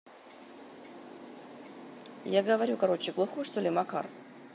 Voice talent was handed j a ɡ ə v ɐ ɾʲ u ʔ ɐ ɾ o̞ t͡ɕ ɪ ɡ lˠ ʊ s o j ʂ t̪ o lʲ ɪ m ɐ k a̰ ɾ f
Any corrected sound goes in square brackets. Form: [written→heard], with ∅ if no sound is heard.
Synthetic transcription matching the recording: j a ɡ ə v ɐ ɾʲ u [ʔ→k] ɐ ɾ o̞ t͡ɕ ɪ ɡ lˠ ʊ [s→x] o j ʂ t̪ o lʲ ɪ m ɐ k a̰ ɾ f